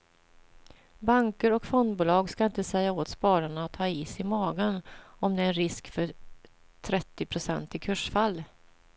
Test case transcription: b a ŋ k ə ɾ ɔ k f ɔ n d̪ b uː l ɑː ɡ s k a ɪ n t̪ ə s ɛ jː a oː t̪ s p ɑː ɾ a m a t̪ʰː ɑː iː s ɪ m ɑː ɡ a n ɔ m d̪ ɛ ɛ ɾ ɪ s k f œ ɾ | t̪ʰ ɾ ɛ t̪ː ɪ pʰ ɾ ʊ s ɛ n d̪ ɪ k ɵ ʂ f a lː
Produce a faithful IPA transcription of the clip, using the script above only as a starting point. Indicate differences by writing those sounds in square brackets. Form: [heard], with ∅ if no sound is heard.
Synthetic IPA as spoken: b a ŋ k ə ɾ ɔ k f ɔ n d̪ b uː l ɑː ɡ s k a ɪ n t̪ ə s ɛ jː a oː t̪ s p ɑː ɾ a [ɳ] a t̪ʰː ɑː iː s ɪ m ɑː ɡ [ə] n ɔ m d̪ ɛ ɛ ɾ ɪ s k f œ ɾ | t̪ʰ ɾ ɛ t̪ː ɪ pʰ ɾ ʊ s ɛ n [t̪] ɪ [kʰ] ɵ ʂ f a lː

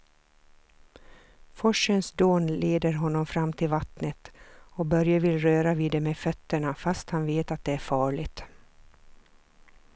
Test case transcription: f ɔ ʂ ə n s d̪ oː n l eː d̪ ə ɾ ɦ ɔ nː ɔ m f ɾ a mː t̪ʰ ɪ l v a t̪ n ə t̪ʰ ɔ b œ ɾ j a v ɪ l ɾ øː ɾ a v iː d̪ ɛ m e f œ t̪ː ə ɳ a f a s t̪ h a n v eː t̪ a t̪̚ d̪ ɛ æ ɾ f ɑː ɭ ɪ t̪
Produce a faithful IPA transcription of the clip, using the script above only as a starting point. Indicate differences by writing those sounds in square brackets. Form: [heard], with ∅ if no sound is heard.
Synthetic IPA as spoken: f ɔ ʂ ə n s d̪ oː n l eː d̪ ə ɾ ɦ ɔ nː ɔ m f ɾ a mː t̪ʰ ɪ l v a t̪ n ə [t̪] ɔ b œ ɾ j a v ɪ l ɾ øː ɾ a v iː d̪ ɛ m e f œ t̪ː ə ɳ a f a s t̪ h a n v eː t̪ a t̪̚ d̪ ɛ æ ɾ f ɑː ɭ ɪ t̪

